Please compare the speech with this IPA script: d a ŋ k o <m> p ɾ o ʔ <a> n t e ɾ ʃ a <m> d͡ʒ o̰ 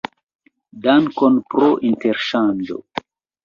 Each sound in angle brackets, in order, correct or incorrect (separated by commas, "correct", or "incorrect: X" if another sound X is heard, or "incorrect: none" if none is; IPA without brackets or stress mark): incorrect: n, incorrect: i, incorrect: n